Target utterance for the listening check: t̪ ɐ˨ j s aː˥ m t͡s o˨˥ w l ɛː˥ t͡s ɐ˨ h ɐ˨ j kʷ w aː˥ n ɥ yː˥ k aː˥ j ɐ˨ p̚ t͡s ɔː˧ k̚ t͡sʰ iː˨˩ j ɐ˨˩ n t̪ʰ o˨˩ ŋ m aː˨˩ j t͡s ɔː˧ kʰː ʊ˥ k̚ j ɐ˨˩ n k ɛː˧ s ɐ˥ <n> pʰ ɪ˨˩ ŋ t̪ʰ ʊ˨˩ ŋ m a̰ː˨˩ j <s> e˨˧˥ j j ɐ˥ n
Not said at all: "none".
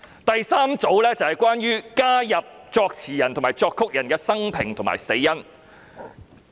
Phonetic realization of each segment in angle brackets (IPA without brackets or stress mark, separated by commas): ŋ, s